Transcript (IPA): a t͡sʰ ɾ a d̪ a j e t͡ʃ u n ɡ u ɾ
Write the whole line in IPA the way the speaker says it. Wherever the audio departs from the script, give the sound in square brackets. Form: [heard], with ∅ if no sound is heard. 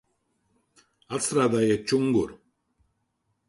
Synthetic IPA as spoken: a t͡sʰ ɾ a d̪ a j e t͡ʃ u [ŋ] ɡ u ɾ

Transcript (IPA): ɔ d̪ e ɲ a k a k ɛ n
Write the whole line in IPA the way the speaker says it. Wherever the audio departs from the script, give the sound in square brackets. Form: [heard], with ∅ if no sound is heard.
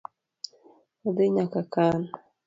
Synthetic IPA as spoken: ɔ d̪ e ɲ a k a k [a] n

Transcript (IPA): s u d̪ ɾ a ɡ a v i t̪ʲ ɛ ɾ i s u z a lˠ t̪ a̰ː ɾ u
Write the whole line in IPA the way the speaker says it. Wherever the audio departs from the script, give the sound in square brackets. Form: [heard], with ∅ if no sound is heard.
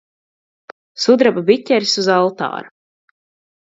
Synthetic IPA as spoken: s u d̪ ɾ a [b] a [b] i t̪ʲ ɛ ɾ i s u z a lˠ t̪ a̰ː ɾ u

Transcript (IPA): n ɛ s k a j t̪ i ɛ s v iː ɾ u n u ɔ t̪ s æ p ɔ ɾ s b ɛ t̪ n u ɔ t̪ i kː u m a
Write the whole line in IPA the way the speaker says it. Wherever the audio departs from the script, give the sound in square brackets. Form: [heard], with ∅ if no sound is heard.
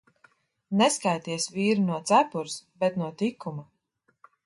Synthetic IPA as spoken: n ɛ s k a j t̪ i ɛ s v iː ɾ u n u ɔ t̪ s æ p [u] ɾ s b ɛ t̪ n u ɔ t̪ i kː u m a

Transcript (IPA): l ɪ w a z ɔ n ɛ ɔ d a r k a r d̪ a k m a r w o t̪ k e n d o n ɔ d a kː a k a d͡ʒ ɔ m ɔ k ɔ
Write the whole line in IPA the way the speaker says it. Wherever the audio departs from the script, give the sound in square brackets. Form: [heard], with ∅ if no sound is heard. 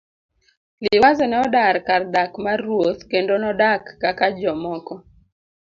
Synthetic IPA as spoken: l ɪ w a z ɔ n ɛ ɔ d a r k a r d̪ a k m a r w o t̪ k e n d o n ɔ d a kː a k a d͡ʒ ɔ m ɔ k ɔ

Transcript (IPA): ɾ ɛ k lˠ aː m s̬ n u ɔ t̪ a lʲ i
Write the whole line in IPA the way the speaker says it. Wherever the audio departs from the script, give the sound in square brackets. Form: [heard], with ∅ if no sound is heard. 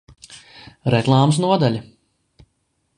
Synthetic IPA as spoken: ɾ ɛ k lˠ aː m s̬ n u ɔ [d̪] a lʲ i

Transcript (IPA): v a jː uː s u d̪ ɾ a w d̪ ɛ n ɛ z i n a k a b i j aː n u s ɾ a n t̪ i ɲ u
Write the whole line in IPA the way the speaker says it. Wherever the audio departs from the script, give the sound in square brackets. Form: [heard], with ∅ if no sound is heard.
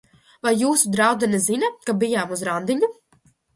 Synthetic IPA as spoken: v a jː uː s u d̪ ɾ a w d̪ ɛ n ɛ z i n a k a b i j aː [m] u [z] ɾ a n [d̪] i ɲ u

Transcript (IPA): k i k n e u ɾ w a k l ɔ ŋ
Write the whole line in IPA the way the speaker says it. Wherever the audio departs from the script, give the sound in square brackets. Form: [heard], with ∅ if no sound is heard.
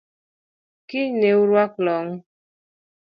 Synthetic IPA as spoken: k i [∅] n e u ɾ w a k l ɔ ŋ

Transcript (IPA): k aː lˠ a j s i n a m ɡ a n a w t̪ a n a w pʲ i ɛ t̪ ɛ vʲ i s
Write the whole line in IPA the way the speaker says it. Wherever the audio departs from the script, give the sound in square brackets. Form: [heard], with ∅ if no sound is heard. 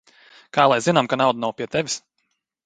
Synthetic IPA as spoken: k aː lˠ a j [z] i n a m [k] a n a w [d̪] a n a w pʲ i ɛ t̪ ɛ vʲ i s

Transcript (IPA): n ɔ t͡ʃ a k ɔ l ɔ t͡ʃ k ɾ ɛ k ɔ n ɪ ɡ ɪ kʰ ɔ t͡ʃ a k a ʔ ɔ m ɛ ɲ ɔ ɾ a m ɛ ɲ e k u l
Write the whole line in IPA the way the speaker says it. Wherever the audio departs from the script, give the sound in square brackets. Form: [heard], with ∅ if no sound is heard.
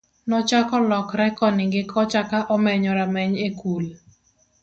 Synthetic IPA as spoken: n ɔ t͡ʃ a k ɔ l ɔ [∅] k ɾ ɛ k ɔ n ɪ ɡ ɪ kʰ ɔ t͡ʃ a k a ʔ ɔ m ɛ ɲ ɔ ɾ a m ɛ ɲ e k u l

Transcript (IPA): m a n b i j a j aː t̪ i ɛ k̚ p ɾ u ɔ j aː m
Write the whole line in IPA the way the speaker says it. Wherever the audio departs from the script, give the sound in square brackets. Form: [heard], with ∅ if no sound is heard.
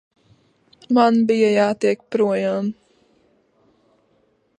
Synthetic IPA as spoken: m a n b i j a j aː t̪ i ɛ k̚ p ɾ u ɔ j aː m

